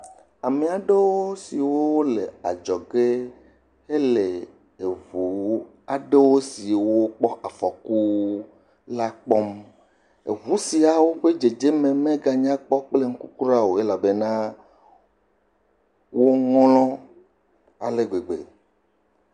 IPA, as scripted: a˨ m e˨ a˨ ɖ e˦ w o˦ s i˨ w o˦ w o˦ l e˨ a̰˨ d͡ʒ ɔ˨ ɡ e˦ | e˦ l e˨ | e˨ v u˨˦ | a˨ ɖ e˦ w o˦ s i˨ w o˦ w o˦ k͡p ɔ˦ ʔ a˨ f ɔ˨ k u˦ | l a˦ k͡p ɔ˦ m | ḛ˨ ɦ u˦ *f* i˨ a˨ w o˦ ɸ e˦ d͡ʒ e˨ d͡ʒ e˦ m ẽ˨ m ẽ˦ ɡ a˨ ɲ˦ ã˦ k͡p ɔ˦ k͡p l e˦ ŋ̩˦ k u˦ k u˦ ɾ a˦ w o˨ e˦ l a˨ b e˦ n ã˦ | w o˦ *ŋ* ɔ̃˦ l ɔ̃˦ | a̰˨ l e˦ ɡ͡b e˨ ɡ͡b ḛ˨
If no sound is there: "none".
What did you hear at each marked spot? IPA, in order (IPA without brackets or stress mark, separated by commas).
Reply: s, ŋ